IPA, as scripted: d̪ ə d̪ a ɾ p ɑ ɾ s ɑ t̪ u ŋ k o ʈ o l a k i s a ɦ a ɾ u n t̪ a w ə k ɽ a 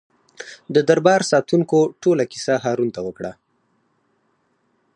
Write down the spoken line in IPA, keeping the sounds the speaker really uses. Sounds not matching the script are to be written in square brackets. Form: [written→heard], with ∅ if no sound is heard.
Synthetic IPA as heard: d̪ ə d̪ a ɾ [p→b] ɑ ɾ s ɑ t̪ u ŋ k o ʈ o l a k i s a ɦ [a→ɑ] ɾ u n t̪ a w ə k ɽ a